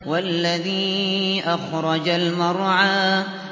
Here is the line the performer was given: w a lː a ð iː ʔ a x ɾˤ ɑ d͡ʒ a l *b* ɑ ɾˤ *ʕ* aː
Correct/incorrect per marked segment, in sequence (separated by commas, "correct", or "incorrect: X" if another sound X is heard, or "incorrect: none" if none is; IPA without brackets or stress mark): incorrect: m, correct